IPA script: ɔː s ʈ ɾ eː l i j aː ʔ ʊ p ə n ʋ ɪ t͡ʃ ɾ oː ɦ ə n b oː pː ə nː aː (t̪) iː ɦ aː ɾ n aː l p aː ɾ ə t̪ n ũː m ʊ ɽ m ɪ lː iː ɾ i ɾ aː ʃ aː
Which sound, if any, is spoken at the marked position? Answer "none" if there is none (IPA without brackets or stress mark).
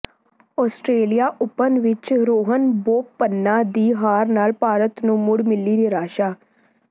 d̪